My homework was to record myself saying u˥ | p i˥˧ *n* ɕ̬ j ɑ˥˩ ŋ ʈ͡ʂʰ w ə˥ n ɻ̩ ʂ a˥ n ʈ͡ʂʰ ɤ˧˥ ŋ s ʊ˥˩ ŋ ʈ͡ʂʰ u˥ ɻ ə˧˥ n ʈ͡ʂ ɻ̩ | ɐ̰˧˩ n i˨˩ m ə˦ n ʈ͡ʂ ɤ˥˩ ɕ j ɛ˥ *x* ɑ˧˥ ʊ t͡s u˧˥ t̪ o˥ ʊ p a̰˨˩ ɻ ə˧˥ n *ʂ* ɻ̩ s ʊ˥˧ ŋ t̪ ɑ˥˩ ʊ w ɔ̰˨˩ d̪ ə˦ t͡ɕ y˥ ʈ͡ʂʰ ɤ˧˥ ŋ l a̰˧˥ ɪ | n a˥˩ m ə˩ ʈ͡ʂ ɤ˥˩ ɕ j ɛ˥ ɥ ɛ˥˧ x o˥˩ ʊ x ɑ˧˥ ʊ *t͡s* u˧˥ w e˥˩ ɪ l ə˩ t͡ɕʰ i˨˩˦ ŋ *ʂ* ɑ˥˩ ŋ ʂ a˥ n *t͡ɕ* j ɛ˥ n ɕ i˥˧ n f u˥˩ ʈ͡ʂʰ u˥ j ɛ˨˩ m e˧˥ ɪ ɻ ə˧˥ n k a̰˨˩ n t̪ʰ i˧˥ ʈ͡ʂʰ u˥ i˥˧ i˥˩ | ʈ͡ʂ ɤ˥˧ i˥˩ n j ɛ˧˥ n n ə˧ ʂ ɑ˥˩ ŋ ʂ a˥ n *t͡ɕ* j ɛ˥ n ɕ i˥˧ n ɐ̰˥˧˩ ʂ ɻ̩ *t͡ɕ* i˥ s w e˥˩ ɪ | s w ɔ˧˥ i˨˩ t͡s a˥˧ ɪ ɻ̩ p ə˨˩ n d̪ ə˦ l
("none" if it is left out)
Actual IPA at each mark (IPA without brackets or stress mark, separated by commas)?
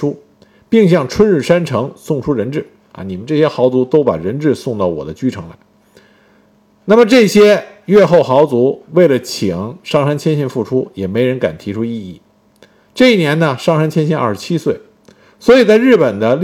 ŋ, x, ʈ͡ʂ, t͡s, ʂ, t͡ɕʰ, t͡ɕʰ, t͡ɕʰ